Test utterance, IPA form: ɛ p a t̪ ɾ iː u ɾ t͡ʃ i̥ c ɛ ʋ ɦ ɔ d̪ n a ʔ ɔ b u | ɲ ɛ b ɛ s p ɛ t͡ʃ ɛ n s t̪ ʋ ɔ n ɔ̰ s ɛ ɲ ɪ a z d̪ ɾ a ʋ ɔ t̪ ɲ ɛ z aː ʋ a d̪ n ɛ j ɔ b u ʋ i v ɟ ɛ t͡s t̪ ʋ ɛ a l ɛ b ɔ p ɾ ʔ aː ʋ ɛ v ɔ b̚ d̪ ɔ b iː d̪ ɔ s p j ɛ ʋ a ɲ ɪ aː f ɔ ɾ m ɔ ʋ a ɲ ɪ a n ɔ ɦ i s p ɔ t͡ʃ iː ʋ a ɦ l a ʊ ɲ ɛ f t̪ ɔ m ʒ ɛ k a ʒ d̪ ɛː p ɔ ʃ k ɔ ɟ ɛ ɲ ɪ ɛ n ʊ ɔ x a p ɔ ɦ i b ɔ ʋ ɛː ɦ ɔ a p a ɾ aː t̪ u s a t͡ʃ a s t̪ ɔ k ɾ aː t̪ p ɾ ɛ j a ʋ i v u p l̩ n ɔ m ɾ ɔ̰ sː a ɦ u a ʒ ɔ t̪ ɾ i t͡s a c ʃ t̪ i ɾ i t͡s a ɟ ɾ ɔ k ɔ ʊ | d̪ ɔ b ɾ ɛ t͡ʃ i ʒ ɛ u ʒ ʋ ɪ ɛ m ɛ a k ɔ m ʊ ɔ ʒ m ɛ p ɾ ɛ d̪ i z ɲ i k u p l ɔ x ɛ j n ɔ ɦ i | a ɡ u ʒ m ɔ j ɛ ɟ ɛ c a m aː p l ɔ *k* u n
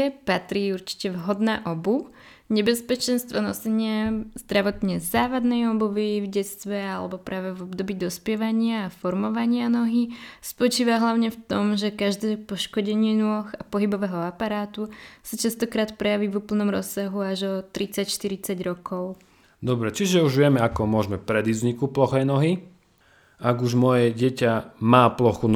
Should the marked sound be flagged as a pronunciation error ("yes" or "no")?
yes